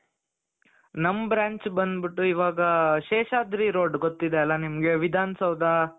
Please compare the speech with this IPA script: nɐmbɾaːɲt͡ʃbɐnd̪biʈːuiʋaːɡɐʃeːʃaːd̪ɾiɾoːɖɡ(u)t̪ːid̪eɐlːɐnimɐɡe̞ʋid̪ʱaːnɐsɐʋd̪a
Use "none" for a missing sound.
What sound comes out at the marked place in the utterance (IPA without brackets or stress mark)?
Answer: o